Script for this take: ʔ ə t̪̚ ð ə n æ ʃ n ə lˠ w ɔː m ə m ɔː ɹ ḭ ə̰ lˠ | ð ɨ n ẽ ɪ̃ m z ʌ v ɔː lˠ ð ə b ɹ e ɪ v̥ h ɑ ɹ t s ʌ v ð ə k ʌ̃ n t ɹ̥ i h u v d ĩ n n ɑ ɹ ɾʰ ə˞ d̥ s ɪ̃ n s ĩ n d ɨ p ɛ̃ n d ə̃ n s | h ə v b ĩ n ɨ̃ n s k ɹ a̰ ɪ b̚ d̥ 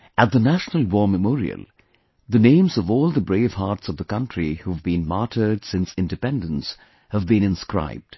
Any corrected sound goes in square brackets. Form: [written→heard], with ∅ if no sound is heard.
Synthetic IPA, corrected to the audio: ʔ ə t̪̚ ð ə n æ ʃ n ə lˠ w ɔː m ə m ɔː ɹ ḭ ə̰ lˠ | ð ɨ n ẽ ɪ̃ m z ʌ v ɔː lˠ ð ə b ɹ e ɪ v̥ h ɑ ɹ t s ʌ v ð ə k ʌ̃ n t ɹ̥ i h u v [d→b] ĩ n [n→m] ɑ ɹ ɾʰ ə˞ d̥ s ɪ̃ n s [ĩ→ɪ̃] n d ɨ p ɛ̃ n d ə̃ n s | h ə v b ĩ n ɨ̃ n s k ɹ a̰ ɪ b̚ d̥